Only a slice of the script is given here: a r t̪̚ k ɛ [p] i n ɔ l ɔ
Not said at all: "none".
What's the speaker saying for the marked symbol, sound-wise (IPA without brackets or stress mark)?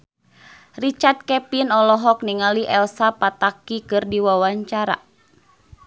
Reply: p